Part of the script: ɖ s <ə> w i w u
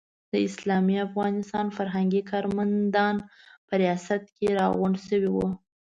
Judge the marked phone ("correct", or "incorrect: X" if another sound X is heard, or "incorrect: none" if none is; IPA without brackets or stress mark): correct